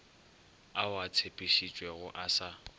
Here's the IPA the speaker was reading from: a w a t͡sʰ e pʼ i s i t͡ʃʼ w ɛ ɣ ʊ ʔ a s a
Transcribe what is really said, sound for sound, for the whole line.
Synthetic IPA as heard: a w a t͡sʰ e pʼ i ʃ i t͡ʃʼ w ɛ ɣ ʊ ʔ a s a